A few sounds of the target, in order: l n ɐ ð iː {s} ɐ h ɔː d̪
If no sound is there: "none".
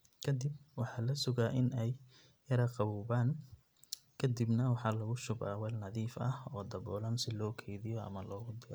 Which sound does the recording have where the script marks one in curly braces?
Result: f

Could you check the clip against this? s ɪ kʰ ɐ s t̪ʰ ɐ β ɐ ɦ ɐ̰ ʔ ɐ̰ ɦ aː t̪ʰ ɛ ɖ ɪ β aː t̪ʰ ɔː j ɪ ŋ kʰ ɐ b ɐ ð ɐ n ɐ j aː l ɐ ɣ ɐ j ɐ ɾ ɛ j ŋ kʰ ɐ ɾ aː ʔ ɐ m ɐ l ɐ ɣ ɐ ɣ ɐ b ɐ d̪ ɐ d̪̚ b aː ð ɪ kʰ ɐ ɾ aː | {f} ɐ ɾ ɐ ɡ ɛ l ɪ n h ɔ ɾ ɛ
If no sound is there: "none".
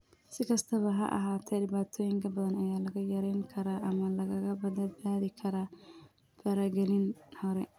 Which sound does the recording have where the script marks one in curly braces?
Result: f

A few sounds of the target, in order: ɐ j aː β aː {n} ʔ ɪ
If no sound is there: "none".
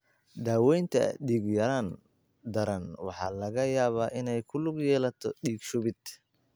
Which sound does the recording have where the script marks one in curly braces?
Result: none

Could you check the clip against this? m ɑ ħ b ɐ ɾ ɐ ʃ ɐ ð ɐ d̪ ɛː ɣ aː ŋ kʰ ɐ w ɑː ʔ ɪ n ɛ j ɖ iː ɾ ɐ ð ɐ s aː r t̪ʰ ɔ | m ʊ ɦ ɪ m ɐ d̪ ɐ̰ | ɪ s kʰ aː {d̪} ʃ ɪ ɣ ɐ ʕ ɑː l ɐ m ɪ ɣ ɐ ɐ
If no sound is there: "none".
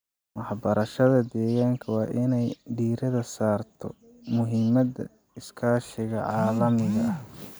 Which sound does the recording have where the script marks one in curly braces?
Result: none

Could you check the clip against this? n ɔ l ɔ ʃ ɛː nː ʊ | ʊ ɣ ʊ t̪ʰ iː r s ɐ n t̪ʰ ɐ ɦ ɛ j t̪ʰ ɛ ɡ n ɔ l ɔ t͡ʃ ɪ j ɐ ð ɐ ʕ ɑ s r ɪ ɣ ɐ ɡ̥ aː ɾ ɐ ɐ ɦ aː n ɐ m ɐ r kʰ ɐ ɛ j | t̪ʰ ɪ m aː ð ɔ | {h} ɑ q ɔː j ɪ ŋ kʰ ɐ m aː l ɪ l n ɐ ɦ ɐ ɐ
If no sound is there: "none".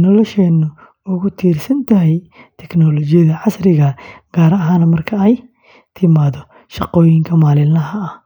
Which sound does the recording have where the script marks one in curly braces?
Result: ʃ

